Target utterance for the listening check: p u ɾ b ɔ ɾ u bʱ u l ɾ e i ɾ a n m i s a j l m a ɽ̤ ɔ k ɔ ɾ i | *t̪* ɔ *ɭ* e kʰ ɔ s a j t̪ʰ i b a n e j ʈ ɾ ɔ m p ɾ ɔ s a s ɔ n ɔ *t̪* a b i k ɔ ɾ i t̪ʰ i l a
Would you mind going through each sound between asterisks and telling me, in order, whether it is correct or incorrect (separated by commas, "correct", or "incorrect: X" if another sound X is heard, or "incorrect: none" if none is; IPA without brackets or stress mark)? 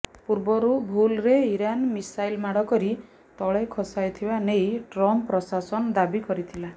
correct, correct, incorrect: d̪